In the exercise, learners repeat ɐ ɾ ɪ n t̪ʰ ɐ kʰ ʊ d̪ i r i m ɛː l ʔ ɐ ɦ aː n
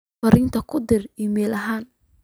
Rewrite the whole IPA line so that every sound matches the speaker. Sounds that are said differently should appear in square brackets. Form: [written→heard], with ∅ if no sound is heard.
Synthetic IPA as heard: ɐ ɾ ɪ n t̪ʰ ɐ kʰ ʊ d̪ [i→ɪ] r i m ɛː l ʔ ɐ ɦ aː n